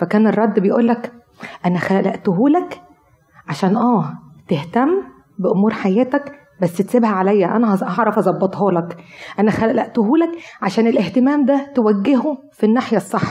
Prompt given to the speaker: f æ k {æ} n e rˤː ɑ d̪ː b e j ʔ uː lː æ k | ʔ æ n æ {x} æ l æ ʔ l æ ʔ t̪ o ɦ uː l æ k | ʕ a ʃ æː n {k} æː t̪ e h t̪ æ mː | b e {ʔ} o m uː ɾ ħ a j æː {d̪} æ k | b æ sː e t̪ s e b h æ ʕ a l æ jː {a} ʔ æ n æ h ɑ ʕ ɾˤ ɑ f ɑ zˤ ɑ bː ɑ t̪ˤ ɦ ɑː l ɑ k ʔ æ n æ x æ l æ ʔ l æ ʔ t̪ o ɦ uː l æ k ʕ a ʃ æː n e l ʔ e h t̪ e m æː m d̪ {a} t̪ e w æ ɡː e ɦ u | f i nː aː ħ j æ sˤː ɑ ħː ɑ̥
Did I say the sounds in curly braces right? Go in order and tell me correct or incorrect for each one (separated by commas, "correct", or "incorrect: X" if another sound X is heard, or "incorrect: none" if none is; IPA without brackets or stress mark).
incorrect: æː, correct, incorrect: ʔ, correct, incorrect: t̪, incorrect: æ, incorrect: æ